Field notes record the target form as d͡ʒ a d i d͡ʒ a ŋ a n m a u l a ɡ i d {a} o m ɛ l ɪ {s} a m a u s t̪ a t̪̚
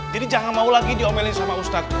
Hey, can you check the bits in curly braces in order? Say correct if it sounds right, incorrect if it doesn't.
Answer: incorrect: i, correct

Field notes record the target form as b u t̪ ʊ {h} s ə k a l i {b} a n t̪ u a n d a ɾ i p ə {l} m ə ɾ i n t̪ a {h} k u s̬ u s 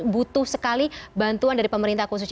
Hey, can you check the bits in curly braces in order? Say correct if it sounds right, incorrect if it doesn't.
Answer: correct, correct, incorrect: none, correct

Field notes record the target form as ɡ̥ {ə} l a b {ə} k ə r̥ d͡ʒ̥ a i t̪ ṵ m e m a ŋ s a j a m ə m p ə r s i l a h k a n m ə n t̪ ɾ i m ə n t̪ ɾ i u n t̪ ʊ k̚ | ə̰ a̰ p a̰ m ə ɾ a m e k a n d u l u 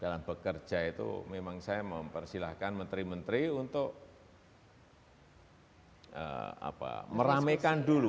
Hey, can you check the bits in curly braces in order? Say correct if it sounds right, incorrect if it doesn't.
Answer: incorrect: a, correct

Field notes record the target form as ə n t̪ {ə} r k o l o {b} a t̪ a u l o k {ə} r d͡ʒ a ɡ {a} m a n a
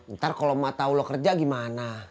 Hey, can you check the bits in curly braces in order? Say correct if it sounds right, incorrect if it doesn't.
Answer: incorrect: a, incorrect: m, correct, incorrect: i

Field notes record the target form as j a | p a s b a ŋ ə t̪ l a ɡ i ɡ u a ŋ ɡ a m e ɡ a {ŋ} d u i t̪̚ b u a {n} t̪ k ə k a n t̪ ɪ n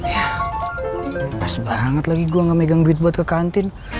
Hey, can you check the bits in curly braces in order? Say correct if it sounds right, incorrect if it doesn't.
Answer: correct, incorrect: none

